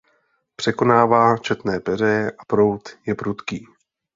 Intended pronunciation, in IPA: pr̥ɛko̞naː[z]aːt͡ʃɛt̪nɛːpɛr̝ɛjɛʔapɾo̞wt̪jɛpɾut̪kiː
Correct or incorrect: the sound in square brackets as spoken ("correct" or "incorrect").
incorrect